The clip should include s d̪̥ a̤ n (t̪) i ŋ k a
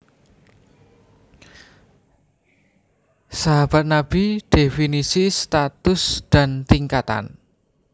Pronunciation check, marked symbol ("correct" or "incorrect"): correct